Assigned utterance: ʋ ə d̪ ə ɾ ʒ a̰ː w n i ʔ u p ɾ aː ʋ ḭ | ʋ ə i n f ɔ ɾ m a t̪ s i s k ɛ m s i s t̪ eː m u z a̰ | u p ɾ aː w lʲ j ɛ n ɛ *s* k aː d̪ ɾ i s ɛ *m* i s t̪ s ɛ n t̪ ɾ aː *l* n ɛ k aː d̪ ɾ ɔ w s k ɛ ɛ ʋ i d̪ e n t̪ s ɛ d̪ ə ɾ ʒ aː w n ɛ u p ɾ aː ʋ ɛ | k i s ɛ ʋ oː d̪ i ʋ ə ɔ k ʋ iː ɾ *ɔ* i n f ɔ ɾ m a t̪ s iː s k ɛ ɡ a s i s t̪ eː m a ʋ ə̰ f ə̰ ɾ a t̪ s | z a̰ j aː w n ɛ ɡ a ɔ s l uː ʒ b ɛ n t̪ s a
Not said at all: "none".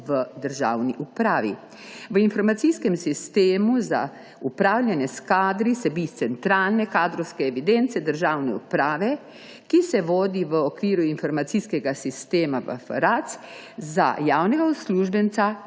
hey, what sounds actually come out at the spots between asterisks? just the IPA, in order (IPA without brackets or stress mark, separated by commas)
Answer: s, b, l, u